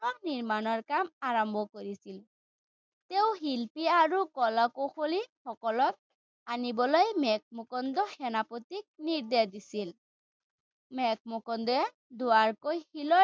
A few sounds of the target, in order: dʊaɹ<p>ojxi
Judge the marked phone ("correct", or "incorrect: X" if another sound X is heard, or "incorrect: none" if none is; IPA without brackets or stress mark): incorrect: k